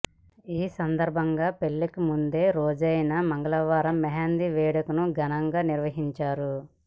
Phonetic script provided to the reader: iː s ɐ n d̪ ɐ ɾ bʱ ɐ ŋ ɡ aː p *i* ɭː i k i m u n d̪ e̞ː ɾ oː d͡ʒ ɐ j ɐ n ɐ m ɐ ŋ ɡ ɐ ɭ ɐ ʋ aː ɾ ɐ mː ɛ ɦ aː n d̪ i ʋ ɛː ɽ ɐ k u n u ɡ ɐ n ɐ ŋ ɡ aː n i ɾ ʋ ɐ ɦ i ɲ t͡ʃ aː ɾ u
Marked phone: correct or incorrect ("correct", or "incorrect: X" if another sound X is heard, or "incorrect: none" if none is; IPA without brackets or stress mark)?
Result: incorrect: e